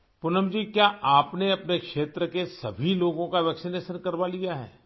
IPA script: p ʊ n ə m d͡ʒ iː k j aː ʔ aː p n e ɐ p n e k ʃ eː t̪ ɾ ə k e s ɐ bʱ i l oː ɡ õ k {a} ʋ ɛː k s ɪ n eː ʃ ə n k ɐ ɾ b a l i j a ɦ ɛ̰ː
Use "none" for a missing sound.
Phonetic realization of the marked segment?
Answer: a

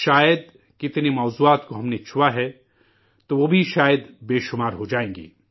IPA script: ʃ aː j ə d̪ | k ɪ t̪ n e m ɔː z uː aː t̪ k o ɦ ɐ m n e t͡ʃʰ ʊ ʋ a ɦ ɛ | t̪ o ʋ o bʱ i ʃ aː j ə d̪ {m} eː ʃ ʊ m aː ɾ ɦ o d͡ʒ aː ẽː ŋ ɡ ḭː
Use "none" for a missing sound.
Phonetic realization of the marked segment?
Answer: b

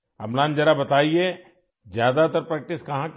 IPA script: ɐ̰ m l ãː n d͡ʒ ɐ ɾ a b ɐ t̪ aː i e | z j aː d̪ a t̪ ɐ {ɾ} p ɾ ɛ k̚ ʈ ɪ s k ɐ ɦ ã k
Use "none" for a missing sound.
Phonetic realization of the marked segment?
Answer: ɾ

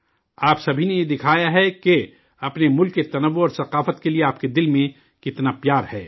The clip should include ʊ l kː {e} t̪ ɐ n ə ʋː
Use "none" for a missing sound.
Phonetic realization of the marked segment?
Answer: e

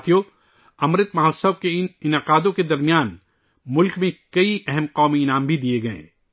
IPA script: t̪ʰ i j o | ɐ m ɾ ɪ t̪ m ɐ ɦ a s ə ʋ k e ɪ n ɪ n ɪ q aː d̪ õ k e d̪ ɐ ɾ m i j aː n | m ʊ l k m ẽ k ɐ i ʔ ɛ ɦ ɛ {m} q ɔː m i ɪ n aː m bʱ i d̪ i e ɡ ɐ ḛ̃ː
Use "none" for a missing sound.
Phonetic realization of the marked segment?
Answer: m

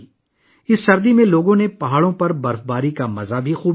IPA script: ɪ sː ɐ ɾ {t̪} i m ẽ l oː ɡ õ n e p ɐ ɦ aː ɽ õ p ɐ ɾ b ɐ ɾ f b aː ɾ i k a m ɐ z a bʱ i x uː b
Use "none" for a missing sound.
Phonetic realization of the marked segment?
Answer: d̪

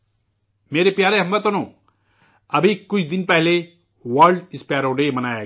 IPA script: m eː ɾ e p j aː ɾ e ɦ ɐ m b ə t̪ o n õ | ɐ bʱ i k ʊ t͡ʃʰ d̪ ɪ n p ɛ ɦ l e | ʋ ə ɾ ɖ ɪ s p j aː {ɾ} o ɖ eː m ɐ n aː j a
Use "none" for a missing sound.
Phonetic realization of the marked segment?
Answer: ɾ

